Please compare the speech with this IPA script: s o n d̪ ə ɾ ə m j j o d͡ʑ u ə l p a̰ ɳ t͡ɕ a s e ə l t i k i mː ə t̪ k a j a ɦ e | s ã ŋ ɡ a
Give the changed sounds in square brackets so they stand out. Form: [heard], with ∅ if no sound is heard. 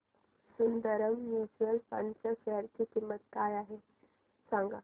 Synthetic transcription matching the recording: s [u] n d̪ ə ɾ ə m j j [u] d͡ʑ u ə l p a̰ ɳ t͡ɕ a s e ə [ɾ] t i k i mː ə t̪ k a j a ɦ e | s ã ŋ ɡ a